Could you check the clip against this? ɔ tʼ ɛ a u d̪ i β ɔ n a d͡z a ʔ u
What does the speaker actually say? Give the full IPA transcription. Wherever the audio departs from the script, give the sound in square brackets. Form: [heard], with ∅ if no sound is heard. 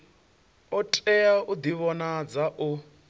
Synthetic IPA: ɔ tʼ ɛ a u d̪ i β ɔ n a d͡z a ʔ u